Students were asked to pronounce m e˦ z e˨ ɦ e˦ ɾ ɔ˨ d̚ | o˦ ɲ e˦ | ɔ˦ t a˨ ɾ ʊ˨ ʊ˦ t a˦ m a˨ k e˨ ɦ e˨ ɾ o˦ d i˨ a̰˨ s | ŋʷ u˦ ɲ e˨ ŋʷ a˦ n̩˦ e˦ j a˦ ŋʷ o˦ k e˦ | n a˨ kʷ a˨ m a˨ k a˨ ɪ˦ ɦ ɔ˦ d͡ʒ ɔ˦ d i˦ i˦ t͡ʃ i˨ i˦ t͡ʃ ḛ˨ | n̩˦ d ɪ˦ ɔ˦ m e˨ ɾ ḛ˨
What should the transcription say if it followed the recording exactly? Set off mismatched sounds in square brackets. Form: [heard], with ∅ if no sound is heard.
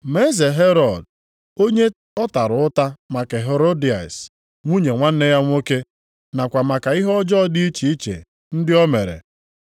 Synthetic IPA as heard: m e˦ z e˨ ɦ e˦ ɾ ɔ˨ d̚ | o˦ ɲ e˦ | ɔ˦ t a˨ ɾ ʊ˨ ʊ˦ t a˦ m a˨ k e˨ ɦ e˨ ɾ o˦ d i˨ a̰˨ s | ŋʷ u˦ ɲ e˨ ŋʷ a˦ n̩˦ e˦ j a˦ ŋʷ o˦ k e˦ | n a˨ kʷ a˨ m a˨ k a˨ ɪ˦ ɦ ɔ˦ d͡ʒ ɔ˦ d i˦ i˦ t͡ʃ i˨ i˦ t͡ʃ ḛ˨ | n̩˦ d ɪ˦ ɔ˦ m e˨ ɾ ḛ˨